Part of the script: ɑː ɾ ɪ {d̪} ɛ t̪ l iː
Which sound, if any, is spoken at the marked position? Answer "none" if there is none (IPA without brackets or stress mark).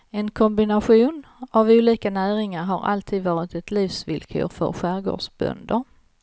t̪